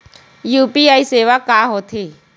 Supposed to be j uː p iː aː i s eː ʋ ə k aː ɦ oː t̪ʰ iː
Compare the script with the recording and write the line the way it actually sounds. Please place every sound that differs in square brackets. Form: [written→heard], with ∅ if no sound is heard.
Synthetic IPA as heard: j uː p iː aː i s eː ʋ [ə→a] k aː ɦ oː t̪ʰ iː